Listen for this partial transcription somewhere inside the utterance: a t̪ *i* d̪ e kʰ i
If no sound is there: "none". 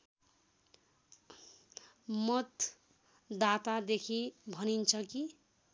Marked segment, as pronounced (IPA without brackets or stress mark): a